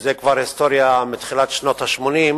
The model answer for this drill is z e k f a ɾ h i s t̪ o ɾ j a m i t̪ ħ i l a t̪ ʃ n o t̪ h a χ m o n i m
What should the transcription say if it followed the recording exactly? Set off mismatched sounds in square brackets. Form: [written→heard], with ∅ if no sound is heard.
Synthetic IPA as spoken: z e k [f→v] a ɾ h i s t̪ o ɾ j a m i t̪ [ħ→χ] i l a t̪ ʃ n o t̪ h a [χ→ʃ] m o n i m